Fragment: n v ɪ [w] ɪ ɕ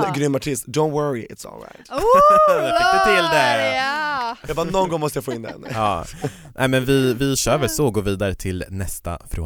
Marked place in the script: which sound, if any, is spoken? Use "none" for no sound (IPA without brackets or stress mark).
v